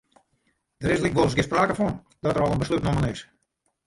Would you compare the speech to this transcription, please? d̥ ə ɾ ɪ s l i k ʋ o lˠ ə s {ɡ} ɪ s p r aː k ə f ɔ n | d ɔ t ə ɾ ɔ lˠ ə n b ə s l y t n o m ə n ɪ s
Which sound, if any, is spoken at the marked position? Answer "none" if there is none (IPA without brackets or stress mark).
ɡ